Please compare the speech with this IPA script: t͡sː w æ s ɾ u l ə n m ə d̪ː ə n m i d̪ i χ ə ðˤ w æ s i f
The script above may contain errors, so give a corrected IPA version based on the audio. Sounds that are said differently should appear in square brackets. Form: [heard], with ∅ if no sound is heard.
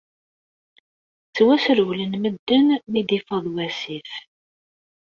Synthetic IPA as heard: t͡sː w æ s ɾ [w] l ə n m ə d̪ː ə n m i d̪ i [f] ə ðˤ w æ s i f